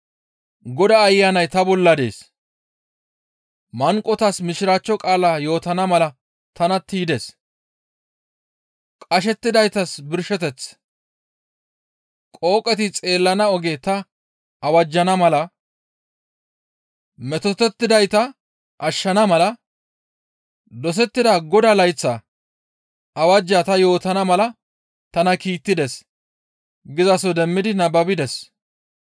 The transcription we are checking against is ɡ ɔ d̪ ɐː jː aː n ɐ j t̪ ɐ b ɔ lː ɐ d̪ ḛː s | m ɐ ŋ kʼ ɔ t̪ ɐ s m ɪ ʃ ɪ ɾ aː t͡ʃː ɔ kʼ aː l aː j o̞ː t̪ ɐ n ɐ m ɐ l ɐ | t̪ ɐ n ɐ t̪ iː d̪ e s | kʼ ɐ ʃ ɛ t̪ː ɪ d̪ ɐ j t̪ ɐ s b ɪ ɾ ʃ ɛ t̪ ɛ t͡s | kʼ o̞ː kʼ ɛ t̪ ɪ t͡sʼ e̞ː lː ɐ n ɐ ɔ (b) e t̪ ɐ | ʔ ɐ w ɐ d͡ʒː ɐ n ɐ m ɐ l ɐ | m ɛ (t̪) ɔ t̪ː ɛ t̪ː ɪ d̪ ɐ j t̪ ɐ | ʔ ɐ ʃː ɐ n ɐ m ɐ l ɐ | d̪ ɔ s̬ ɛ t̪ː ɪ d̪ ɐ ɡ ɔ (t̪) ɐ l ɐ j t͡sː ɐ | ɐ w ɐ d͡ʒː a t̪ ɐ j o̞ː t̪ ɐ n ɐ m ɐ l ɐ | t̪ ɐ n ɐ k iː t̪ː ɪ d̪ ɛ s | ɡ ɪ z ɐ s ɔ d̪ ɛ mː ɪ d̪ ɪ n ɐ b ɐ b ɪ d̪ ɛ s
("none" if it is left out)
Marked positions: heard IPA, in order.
ɡ, t̪, d̪

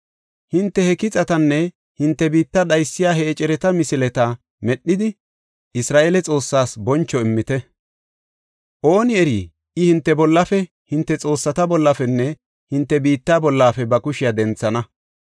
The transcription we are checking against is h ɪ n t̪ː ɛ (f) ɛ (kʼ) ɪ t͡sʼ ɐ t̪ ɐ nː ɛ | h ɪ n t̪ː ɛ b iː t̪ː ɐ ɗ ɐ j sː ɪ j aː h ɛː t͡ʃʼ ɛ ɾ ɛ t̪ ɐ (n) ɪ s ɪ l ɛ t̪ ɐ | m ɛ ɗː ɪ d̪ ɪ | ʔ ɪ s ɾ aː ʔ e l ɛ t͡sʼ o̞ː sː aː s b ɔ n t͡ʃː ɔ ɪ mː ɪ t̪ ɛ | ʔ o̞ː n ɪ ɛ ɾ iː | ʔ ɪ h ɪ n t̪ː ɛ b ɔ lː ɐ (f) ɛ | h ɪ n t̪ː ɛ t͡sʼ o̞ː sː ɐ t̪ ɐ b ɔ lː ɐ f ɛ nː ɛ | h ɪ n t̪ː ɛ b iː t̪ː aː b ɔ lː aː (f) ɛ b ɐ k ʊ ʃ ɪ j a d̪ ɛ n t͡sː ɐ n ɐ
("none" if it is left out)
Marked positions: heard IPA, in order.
h, k, m, f, f

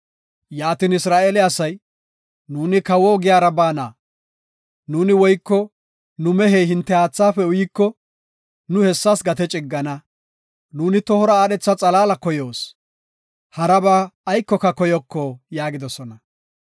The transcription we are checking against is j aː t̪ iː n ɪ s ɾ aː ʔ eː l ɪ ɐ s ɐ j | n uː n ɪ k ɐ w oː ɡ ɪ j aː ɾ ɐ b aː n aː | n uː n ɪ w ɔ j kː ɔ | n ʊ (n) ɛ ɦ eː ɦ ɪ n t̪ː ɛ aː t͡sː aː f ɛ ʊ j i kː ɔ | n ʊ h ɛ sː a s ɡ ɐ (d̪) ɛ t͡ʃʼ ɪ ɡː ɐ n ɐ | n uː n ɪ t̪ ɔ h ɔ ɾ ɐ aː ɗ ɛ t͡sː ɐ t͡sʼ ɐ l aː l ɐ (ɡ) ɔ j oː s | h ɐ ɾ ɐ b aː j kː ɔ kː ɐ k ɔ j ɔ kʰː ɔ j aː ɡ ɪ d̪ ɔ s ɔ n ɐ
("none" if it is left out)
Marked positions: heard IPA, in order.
m, t̪, k

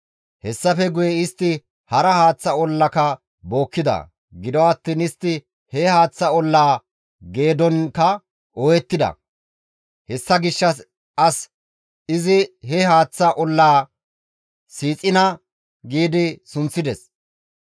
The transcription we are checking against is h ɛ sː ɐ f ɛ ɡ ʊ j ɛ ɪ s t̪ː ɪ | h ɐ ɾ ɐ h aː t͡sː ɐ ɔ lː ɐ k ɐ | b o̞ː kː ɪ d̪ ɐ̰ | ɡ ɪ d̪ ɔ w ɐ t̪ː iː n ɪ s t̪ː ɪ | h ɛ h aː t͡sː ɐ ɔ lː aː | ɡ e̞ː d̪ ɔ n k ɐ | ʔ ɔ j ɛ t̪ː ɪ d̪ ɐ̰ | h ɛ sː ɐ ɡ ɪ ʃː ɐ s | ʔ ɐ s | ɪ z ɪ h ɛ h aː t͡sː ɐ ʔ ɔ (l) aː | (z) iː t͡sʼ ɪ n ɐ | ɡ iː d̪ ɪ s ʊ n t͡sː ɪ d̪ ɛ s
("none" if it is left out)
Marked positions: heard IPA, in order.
lː, s

